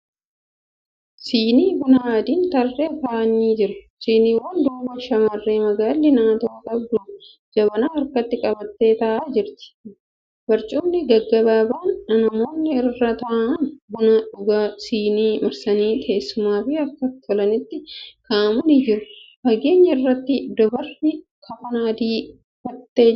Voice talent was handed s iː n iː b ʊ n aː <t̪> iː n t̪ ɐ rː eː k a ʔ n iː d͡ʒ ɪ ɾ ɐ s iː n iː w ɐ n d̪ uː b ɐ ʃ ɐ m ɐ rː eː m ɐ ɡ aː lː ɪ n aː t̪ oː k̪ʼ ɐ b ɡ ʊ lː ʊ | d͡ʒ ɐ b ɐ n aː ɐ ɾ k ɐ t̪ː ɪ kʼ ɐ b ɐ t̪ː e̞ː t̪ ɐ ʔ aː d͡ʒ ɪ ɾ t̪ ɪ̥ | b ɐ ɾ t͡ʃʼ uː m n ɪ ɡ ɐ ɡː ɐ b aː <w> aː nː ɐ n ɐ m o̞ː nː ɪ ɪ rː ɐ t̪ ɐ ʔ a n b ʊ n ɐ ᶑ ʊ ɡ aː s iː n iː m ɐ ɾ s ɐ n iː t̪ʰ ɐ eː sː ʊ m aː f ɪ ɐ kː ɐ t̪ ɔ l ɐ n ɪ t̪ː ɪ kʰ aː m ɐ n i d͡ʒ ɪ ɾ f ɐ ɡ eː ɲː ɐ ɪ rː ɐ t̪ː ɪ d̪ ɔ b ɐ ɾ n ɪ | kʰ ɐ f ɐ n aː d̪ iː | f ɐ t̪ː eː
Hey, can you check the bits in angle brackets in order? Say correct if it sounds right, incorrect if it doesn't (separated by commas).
incorrect, incorrect